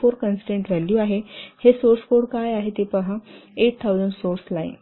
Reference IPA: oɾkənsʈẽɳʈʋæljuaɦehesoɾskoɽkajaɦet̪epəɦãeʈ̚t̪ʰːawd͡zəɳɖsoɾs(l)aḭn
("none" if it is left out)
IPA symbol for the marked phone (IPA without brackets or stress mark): l